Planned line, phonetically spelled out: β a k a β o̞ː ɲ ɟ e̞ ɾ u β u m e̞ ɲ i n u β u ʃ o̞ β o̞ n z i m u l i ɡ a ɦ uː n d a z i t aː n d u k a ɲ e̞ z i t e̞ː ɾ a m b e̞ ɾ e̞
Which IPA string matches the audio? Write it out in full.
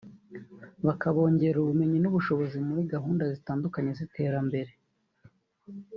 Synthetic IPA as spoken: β a k a β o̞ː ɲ ɟ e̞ ɾ u β u m e̞ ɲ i n u β u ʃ o̞ β o̞ z i m u ɾ i ɡ a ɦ uː n d a z i t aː n d u k a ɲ e̞ z i t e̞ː ɾ a m b e̞ ɾ e̞